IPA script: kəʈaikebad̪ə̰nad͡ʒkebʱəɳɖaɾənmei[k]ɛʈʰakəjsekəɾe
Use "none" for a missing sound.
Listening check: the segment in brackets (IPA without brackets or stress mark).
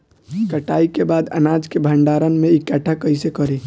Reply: k